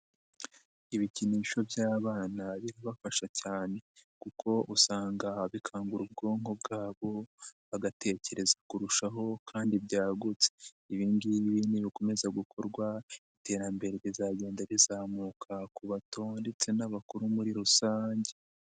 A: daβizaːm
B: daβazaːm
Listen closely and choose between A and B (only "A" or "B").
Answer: A